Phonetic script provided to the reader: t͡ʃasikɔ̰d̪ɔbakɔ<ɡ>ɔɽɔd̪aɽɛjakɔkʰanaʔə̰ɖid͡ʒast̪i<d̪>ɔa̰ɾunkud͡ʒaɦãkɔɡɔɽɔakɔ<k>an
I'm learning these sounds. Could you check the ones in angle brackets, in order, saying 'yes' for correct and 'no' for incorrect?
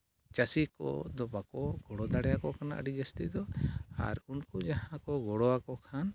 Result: yes, yes, no

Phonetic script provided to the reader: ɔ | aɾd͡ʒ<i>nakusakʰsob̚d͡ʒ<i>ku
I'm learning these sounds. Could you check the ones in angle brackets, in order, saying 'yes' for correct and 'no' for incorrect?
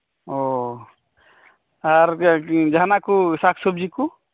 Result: no, yes

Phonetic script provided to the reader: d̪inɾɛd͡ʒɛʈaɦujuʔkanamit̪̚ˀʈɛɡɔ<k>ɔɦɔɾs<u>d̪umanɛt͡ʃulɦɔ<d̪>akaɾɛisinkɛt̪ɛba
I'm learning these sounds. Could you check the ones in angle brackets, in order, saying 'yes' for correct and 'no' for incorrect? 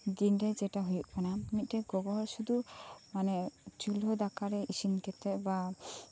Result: no, yes, yes

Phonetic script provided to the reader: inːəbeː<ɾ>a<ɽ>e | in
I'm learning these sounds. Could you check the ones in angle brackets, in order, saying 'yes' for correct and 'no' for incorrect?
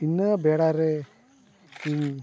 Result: no, no

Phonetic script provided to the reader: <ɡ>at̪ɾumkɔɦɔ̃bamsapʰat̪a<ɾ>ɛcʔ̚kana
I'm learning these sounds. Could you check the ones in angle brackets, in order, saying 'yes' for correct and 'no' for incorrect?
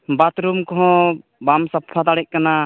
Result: no, no

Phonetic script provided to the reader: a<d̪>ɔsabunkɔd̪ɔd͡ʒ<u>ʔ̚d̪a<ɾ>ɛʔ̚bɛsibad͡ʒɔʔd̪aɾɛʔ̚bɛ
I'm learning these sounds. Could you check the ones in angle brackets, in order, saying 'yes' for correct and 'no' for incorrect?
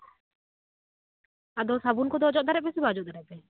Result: yes, no, yes

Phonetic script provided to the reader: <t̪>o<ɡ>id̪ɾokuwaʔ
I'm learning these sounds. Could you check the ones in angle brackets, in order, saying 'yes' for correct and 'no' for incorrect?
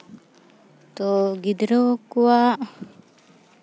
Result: yes, yes

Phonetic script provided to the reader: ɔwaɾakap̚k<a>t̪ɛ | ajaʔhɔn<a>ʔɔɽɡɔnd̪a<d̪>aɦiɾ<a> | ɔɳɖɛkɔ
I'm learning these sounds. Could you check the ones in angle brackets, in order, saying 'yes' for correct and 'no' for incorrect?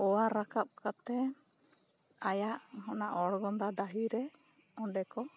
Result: yes, yes, yes, no

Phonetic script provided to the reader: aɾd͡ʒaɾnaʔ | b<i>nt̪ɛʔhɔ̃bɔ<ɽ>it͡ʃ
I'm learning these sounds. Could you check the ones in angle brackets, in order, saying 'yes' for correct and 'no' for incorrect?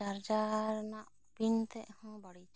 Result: yes, yes

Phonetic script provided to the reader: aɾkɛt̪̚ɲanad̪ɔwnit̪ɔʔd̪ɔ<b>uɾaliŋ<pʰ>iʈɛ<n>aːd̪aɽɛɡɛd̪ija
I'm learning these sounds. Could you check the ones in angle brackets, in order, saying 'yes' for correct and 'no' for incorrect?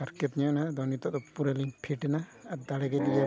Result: no, yes, yes

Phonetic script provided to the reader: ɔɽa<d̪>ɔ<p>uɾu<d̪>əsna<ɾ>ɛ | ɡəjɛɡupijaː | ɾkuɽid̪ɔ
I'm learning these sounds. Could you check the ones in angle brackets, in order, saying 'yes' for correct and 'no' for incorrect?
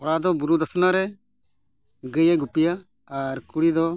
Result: yes, no, yes, yes

